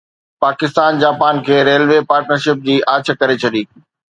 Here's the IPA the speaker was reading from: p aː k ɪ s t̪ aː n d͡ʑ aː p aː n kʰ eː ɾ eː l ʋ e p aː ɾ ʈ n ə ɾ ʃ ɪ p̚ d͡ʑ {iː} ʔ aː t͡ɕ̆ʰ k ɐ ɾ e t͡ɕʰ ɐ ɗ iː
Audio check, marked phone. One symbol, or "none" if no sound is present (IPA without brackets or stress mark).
iː